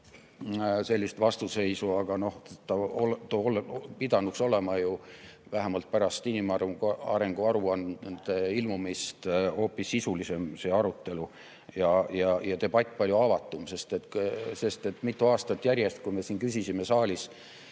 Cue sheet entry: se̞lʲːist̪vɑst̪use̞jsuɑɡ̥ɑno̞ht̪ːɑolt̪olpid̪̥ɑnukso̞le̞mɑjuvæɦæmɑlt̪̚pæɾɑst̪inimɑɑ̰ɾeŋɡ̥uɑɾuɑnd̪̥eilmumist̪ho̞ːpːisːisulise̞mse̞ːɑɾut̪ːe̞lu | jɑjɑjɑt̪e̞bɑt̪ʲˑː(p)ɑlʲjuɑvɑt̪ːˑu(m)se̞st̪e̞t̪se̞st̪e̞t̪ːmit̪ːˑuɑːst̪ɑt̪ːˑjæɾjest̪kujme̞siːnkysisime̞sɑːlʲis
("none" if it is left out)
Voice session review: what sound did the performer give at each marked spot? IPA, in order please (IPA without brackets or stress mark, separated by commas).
p, m